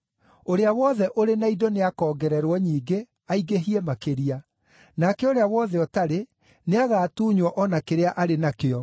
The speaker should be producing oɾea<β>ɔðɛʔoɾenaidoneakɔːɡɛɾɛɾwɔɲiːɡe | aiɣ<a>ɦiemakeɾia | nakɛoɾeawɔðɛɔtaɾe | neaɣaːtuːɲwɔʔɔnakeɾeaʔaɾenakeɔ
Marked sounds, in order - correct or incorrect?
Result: incorrect: w, incorrect: e

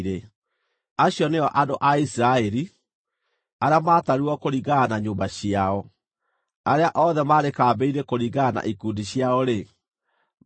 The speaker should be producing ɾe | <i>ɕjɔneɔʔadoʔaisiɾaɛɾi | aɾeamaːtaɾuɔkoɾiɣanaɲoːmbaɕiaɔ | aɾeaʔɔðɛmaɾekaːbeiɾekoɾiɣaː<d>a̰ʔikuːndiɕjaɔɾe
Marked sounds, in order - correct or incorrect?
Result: incorrect: a, incorrect: n

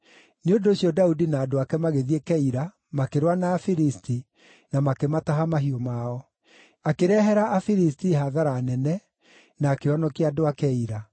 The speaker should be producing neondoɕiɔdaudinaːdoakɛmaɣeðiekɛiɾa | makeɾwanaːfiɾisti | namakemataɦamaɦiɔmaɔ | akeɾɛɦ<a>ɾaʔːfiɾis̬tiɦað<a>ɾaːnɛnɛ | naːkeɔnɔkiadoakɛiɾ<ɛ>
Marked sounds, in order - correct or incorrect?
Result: incorrect: ɛ, correct, incorrect: a

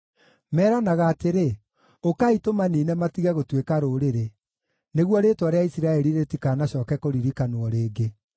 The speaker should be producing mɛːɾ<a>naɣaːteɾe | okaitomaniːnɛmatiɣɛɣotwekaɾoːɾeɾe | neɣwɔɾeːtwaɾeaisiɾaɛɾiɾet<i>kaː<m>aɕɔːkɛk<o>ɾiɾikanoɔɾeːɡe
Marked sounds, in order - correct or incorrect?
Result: correct, correct, incorrect: n, correct

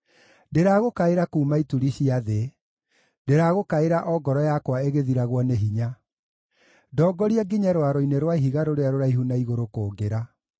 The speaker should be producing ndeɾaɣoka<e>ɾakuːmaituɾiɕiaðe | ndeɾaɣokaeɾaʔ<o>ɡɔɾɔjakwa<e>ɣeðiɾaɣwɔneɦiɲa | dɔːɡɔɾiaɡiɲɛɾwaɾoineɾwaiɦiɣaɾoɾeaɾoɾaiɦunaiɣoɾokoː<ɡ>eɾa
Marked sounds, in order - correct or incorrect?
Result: correct, incorrect: ɔ, correct, correct

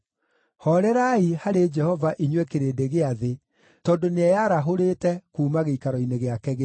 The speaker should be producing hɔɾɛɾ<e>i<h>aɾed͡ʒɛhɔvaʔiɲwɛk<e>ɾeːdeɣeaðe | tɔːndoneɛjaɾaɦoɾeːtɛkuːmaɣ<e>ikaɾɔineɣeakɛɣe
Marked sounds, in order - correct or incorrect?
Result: incorrect: a, correct, correct, correct

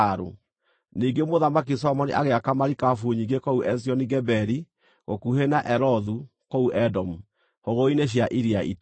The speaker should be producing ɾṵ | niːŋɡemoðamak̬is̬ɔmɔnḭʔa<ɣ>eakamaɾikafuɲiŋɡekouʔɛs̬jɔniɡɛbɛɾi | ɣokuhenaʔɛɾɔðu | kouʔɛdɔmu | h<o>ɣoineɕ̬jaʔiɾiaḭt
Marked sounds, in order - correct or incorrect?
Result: correct, correct

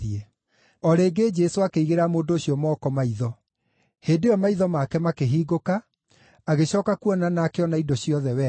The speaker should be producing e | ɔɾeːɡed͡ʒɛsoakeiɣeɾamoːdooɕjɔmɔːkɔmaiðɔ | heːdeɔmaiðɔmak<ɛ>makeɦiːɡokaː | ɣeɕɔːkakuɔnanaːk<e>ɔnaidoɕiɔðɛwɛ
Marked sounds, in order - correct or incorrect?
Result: correct, correct

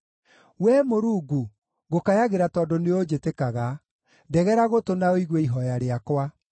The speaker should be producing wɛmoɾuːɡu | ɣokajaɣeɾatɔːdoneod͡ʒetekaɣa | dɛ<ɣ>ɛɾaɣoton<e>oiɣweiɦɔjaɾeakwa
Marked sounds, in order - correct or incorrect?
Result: correct, incorrect: a

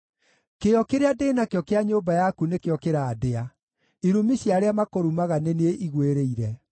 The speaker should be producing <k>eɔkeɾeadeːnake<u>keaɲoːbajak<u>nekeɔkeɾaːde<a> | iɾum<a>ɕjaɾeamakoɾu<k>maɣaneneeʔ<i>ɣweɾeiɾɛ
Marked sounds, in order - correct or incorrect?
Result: correct, incorrect: ɔ, correct, correct, incorrect: i, incorrect: none, correct

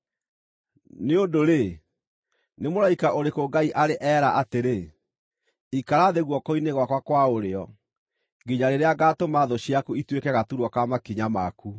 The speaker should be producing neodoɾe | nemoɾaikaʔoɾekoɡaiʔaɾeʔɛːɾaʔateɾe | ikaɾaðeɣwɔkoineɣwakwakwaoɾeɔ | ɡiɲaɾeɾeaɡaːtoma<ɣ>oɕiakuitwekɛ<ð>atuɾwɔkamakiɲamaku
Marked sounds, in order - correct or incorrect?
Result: incorrect: ð, incorrect: ɣ

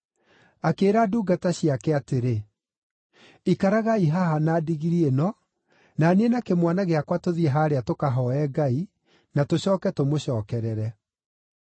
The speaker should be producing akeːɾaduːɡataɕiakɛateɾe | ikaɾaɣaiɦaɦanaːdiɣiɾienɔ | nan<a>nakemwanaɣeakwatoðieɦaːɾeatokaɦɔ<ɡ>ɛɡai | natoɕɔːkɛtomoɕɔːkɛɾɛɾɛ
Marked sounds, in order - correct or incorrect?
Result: incorrect: e, incorrect: none

